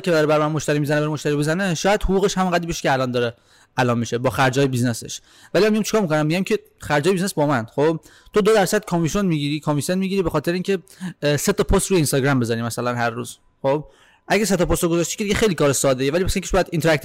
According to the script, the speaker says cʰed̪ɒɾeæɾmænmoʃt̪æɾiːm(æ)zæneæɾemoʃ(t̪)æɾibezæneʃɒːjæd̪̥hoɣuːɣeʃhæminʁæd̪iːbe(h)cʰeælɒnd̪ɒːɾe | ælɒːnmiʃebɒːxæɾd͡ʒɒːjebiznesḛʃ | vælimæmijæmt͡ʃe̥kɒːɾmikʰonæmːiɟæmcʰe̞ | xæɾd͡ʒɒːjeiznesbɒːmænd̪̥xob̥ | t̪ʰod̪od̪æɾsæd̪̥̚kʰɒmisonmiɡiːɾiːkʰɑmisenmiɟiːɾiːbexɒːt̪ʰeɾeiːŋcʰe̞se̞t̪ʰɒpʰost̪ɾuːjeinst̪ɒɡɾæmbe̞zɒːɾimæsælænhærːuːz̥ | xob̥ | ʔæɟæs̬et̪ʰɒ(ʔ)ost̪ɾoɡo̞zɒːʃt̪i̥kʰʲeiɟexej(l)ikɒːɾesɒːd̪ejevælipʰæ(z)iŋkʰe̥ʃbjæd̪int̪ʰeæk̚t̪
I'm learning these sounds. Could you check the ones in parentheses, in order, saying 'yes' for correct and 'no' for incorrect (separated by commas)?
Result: no, yes, no, no, yes, no